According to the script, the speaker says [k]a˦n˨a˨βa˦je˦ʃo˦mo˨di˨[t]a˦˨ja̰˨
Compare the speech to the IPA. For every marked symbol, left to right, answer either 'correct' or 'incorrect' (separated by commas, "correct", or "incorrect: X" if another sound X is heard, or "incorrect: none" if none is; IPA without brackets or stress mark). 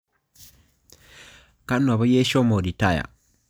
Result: correct, correct